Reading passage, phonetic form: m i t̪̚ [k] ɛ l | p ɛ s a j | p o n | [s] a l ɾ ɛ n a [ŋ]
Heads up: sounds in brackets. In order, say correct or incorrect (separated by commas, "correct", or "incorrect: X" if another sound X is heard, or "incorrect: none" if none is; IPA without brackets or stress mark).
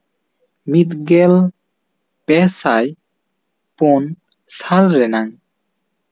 incorrect: ɡ, correct, correct